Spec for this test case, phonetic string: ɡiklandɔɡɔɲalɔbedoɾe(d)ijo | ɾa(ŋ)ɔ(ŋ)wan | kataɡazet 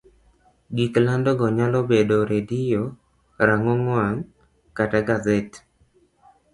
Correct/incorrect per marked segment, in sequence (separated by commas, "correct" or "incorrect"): correct, correct, correct